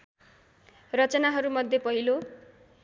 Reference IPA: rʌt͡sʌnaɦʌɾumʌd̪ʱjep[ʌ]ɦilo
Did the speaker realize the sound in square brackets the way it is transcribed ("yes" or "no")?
yes